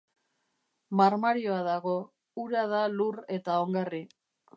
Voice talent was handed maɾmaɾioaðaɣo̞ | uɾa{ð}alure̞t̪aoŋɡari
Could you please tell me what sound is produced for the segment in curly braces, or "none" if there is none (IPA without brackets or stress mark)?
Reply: ð